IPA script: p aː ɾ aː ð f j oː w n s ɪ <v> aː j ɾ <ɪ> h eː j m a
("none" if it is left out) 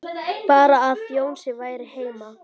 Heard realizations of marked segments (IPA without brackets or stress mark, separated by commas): v, ɪ